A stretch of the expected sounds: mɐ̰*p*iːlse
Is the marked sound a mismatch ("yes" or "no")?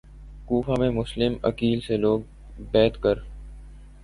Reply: yes